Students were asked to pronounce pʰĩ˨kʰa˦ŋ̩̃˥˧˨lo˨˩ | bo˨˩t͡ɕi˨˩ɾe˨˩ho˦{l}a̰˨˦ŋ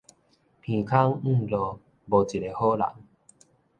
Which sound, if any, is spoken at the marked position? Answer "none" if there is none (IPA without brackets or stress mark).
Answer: l